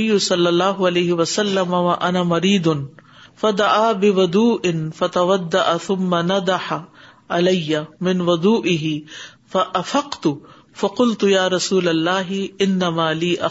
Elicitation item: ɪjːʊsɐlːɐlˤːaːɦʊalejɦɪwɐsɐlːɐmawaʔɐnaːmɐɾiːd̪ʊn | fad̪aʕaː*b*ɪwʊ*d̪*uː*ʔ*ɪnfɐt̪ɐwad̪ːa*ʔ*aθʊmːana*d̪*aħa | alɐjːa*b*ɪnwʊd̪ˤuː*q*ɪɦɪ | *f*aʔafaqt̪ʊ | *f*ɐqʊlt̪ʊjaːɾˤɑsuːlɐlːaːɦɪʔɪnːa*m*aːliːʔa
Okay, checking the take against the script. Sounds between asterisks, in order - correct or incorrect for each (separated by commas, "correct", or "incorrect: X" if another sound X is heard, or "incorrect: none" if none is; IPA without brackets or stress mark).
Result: correct, correct, correct, correct, correct, incorrect: m, incorrect: ʔ, correct, correct, correct